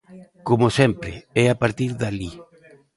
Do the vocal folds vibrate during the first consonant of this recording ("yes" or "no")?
no